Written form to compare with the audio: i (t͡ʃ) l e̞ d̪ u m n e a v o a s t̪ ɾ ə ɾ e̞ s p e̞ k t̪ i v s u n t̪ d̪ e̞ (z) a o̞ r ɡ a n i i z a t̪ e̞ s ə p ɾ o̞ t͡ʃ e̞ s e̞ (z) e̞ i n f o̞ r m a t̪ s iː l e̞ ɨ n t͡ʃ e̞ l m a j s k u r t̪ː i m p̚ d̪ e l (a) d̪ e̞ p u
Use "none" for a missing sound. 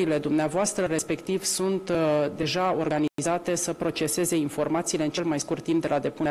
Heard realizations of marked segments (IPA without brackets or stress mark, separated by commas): none, ʒ, z, a